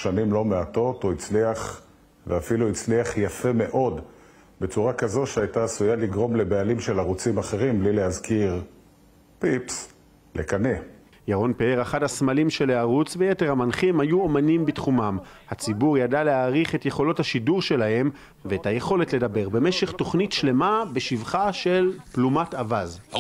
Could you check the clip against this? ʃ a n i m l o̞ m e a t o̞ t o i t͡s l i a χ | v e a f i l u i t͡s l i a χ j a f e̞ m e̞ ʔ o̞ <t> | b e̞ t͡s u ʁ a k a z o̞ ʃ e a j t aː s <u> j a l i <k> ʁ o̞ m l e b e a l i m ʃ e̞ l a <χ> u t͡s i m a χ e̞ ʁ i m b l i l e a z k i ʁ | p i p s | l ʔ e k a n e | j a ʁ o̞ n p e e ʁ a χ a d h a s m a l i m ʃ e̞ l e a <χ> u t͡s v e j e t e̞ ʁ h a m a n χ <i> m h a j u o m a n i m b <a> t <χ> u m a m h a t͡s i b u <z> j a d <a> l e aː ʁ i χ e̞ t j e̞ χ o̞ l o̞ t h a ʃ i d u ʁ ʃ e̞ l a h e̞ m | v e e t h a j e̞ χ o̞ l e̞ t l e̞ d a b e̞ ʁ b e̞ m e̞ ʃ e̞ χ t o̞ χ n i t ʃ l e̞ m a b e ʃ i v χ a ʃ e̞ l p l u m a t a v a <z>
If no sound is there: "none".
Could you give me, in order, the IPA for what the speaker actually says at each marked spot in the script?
d, u, ɡ, ʁ, ʁ, i, i, χ, ʁ, a, z

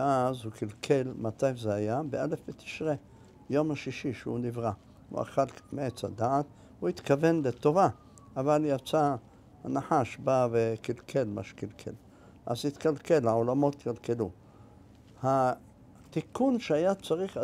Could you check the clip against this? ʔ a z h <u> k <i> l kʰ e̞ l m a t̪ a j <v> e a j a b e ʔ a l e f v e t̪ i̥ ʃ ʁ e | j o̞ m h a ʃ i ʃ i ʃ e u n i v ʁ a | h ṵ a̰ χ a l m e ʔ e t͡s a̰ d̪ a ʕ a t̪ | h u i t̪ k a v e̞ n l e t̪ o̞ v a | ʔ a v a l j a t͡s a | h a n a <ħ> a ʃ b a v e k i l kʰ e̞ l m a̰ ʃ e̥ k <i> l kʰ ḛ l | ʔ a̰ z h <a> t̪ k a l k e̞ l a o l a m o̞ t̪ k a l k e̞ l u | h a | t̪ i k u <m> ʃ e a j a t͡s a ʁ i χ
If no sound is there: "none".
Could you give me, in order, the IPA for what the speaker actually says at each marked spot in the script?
u, i, z, ħ, i, i, n

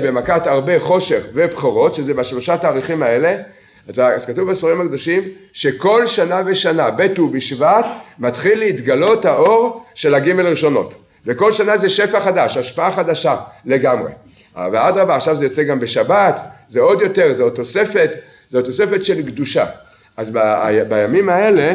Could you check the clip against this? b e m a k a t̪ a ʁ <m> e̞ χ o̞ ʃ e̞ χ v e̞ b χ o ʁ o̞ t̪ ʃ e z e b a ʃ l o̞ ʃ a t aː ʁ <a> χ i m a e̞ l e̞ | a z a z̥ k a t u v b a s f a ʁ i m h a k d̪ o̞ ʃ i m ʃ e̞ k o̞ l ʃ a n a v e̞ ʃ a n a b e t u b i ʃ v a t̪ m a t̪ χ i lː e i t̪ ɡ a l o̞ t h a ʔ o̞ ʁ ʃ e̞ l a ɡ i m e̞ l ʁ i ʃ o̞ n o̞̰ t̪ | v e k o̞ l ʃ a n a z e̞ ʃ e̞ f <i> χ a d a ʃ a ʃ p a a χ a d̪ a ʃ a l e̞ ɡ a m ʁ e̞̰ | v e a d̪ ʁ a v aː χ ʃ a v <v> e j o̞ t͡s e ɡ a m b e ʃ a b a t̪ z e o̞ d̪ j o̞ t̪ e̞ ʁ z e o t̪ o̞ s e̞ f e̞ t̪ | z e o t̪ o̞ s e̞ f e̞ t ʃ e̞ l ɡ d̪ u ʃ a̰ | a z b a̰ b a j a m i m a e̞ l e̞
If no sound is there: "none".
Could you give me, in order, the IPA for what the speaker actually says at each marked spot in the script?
b, i, a, z

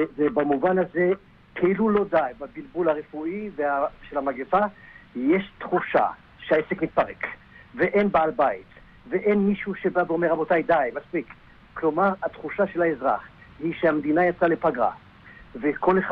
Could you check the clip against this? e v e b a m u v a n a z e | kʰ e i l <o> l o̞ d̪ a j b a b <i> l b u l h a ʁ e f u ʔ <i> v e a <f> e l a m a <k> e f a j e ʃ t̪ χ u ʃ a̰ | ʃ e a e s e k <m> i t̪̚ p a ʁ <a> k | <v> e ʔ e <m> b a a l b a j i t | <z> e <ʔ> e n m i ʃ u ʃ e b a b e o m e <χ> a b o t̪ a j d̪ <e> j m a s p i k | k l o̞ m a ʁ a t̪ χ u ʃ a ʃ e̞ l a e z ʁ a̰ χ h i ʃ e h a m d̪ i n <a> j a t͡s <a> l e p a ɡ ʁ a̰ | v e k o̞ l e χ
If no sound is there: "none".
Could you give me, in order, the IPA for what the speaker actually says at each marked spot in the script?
u, i, i, ʃ, ɡ, m, e, v, n, v, ʔ, ʁ, a, a, a

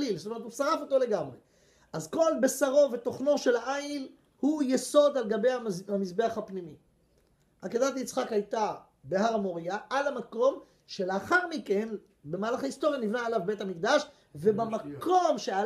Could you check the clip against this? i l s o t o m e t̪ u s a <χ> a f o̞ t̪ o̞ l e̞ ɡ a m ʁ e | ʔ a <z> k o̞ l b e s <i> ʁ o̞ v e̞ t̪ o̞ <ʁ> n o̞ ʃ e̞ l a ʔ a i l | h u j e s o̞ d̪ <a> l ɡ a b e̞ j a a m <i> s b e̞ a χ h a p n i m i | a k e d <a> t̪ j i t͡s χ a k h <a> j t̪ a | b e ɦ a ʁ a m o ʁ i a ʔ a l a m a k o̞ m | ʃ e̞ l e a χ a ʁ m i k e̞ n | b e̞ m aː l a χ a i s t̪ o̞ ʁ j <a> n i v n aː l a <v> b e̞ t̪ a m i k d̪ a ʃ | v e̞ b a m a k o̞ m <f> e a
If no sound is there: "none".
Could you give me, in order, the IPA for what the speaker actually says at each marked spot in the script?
ʁ, z, a, χ, a, i, a, a, a, v, ʃ

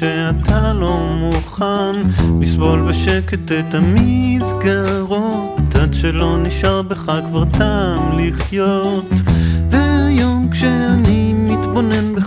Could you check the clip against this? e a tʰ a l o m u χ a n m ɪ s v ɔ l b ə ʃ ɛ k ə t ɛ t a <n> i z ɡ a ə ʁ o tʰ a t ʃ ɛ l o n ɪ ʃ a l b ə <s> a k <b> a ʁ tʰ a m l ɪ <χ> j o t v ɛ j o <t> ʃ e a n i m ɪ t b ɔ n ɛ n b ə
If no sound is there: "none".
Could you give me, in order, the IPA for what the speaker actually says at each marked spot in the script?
m, χ, v, χ, k

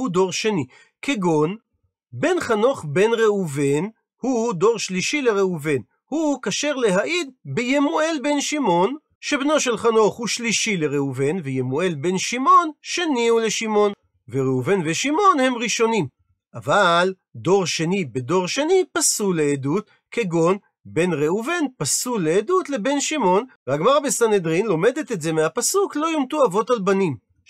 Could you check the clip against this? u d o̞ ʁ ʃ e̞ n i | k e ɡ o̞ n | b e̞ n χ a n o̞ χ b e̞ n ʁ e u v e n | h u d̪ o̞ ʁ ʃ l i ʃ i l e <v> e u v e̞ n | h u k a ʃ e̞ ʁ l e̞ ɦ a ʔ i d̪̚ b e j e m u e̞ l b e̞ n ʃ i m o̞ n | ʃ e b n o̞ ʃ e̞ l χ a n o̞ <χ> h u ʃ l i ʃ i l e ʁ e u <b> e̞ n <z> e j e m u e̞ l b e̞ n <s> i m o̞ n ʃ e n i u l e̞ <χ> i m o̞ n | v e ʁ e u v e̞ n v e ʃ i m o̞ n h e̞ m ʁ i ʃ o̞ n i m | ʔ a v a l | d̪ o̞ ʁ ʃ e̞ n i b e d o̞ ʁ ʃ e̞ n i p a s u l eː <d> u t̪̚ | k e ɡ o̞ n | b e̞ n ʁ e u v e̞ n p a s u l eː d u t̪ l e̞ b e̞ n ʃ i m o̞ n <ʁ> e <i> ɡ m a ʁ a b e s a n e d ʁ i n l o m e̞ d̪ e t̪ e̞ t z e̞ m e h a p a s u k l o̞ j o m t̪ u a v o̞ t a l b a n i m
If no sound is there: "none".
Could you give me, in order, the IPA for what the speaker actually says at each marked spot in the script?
ʁ, χ, v, v, ʃ, ʃ, d, v, a

